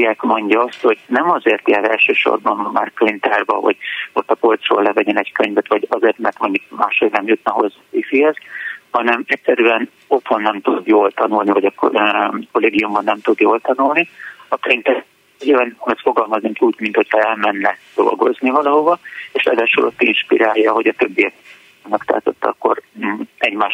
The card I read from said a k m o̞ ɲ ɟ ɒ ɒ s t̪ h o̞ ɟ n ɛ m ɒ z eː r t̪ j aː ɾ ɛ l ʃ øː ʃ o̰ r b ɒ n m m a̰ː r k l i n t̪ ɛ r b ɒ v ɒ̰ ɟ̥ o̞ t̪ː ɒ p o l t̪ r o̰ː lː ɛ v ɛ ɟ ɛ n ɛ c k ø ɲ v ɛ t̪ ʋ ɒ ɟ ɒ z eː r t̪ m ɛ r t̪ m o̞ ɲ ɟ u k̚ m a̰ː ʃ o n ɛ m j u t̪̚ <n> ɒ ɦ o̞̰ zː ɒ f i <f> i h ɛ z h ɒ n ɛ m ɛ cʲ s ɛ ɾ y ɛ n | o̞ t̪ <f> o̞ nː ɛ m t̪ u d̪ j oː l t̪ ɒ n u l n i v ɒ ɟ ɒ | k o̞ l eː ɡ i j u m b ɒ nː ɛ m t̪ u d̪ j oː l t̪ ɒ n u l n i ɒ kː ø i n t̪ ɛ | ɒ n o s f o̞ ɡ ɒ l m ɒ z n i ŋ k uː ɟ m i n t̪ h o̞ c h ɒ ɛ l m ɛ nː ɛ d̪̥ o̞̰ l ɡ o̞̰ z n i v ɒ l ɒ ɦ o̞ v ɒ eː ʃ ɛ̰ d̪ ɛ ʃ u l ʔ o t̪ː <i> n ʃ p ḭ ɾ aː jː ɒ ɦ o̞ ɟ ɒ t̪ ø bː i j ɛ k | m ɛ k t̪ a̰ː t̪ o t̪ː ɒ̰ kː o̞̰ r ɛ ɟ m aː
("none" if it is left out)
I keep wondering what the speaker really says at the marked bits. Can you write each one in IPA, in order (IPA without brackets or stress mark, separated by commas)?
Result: n, f, h, i